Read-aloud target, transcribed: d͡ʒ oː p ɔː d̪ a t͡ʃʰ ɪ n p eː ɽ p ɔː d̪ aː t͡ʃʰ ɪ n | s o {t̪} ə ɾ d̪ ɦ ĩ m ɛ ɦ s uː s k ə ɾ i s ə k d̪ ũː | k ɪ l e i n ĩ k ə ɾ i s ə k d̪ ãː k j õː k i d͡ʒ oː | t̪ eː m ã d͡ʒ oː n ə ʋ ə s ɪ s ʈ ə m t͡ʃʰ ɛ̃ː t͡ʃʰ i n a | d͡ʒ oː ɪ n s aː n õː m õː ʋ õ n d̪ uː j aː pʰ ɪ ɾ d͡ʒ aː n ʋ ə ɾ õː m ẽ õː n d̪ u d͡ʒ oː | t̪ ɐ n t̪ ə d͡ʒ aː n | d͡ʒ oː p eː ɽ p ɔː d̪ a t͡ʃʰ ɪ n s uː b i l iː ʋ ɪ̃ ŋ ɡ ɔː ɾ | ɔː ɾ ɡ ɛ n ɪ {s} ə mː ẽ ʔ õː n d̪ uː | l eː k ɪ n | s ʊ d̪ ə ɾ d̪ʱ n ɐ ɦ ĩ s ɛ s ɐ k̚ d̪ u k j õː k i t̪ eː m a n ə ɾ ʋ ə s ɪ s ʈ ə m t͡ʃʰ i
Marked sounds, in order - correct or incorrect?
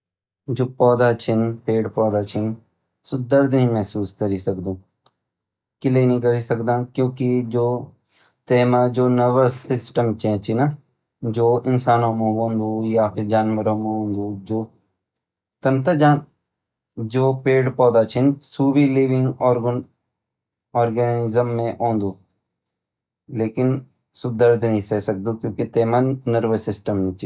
incorrect, incorrect

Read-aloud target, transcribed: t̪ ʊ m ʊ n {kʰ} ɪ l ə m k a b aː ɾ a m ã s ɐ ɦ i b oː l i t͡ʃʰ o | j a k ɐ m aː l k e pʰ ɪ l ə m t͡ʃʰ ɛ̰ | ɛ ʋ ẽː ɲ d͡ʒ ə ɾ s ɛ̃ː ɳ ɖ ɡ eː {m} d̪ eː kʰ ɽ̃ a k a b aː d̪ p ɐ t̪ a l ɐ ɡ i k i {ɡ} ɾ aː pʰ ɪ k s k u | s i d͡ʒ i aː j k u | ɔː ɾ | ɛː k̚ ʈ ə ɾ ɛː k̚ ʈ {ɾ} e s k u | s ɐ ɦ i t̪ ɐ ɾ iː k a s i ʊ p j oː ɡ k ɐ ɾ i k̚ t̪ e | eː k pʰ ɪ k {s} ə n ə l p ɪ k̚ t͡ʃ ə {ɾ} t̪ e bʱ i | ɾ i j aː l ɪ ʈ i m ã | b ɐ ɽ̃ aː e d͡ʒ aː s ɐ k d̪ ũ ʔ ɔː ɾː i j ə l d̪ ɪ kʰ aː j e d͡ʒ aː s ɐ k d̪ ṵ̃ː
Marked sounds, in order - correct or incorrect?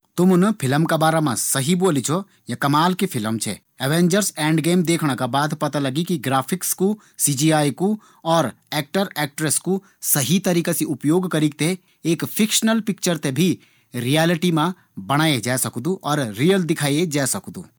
incorrect, correct, correct, correct, incorrect, correct

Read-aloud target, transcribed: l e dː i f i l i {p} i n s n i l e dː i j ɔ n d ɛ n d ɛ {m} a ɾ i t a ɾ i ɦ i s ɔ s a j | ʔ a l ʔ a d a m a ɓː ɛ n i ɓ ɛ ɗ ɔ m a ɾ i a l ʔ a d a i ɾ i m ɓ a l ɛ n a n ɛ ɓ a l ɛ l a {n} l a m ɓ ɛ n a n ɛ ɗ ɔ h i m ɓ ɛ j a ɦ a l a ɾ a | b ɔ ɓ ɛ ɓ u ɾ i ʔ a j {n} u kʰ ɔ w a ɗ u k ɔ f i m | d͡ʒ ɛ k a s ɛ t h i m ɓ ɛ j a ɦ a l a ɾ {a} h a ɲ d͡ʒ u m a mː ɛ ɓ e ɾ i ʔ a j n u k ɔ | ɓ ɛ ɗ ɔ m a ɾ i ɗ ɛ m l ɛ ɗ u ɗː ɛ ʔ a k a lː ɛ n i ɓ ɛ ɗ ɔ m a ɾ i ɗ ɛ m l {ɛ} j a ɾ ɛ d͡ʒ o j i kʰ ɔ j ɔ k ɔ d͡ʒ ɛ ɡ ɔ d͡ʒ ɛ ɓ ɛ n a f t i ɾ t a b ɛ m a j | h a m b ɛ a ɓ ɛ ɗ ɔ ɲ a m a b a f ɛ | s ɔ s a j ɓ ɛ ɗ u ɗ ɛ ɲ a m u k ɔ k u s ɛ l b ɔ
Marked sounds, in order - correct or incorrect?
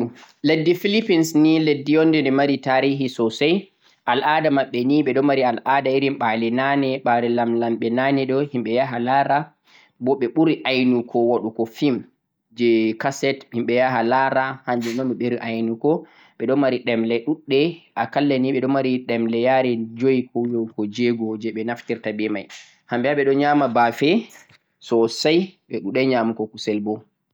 correct, correct, incorrect, correct, correct, correct

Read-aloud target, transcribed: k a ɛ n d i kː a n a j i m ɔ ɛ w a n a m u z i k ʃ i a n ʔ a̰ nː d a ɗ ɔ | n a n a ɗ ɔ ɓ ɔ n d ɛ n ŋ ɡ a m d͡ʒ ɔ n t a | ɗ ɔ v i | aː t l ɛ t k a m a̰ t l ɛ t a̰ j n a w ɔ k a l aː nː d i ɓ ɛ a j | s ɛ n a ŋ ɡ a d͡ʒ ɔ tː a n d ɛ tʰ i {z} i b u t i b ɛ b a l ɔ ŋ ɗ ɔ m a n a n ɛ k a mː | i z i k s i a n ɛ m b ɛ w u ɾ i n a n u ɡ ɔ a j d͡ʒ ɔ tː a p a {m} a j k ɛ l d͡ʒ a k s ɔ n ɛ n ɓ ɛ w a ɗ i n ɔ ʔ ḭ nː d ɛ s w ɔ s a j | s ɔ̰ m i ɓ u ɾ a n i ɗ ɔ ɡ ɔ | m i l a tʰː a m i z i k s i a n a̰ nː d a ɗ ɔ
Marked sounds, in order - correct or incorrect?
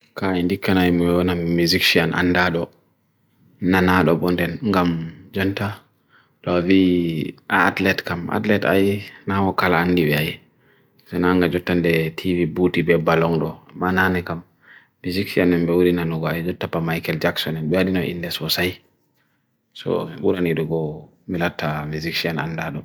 incorrect, correct

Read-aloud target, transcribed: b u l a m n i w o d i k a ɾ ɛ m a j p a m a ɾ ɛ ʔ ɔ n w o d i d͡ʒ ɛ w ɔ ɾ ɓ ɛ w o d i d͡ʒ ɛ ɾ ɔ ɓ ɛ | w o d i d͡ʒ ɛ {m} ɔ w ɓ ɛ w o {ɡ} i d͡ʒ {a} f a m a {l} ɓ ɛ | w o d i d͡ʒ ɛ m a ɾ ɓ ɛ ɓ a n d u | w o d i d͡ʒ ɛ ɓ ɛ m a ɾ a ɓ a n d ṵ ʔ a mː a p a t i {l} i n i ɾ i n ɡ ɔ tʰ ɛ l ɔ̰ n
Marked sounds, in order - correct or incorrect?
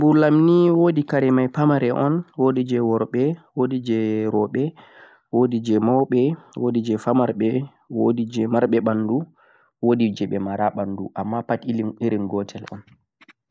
correct, incorrect, incorrect, incorrect, correct

